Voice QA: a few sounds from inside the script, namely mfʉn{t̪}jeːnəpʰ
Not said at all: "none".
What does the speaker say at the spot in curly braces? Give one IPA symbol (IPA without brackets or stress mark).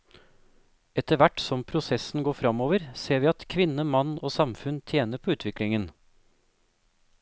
t̪ʰ